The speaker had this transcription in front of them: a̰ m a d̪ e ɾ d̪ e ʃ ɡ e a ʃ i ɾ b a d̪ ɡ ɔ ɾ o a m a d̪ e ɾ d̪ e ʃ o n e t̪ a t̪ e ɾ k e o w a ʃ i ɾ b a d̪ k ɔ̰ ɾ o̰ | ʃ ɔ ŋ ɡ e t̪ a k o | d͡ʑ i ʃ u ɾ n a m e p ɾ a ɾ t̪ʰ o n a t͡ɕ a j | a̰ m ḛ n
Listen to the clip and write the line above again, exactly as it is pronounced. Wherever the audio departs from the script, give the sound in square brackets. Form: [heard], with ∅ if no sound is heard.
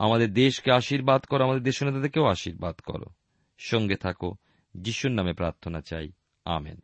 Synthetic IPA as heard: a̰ m a d̪ e ɾ d̪ e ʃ [k] e a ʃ i ɾ b a d̪ [k] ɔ ɾ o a m a d̪ e ɾ d̪ e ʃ o n e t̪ a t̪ e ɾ k e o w a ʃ i ɾ b a d̪ k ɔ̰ ɾ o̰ | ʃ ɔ ŋ ɡ e [t̪ʰ] a k o | d͡ʑ i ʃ u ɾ n a m e p ɾ a ɾ t̪ʰ o n a t͡ɕ a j | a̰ m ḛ n